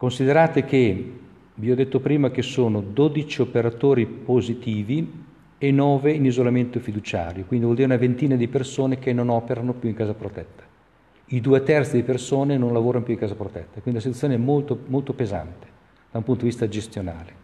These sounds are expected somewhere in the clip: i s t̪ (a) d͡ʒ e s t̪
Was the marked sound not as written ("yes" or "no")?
no